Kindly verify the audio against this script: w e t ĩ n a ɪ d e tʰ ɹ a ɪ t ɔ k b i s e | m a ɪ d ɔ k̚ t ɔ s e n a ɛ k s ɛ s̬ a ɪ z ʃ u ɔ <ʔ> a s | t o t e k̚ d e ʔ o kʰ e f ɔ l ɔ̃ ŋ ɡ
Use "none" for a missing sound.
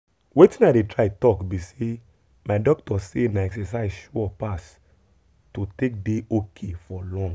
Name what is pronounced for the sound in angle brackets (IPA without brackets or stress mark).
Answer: p